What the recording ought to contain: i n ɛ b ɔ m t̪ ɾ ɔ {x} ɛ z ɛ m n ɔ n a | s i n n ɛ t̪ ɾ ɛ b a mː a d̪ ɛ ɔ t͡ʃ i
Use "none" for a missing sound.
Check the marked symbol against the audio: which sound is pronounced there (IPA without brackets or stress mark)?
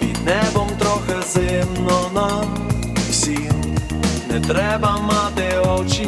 x